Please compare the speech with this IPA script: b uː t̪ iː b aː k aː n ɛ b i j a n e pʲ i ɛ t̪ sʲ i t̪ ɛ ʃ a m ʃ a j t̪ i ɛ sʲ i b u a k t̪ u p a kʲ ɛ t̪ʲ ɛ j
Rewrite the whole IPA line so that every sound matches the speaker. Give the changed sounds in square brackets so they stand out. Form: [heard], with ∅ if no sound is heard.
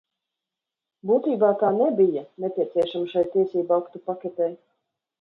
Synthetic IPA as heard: b uː t̪ iː b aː k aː n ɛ b i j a n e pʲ i ɛ t̪ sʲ i [∅] ɛ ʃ a m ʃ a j t̪ i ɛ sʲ [iː] b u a k t̪ u p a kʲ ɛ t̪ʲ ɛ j